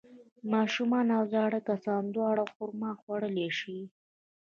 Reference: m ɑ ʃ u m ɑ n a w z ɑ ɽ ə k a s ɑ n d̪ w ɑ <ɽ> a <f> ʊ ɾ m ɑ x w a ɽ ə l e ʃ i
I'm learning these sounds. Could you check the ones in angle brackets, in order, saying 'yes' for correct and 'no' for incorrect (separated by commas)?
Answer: yes, no